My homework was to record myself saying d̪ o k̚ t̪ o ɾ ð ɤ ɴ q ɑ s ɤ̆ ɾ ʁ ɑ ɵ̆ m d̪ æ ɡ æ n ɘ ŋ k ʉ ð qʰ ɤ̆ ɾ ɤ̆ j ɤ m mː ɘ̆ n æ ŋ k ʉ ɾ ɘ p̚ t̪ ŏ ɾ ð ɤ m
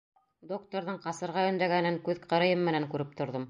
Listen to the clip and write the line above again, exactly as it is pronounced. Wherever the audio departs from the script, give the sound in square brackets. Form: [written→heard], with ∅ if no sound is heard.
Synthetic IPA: d̪ o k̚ t̪ o ɾ ð ɤ ɴ q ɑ s ɤ̆ ɾ ʁ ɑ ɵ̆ [m→n] d̪ æ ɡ æ n ɘ ŋ k ʉ ð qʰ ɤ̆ ɾ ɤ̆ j ɤ m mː ɘ̆ n æ ŋ k ʉ ɾ ɘ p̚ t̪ ŏ ɾ ð ɤ m